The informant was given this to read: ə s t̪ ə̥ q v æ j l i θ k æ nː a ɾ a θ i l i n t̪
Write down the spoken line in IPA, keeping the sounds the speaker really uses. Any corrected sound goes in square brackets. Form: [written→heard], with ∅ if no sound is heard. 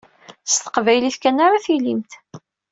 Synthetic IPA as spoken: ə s t̪ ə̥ q v æ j l i θ k æ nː a ɾ a θ i l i [n→m] t̪

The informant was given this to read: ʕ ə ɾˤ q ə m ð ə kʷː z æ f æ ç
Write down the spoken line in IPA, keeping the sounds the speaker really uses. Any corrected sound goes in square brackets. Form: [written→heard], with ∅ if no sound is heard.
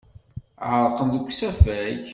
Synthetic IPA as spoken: ʕ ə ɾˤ q ə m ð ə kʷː [z→s] æ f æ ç

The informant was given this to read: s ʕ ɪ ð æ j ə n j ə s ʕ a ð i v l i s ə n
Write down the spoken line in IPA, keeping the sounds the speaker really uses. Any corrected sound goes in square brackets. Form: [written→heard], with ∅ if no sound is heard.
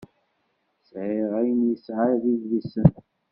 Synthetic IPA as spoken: s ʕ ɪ [ð→ʁ] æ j ə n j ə s ʕ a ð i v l i s ə n

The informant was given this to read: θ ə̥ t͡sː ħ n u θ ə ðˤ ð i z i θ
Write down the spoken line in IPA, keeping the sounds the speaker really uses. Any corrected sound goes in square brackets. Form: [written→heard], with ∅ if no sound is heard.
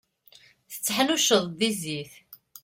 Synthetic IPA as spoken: θ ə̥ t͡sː ħ n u [θ→ʃ] ə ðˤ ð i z i θ

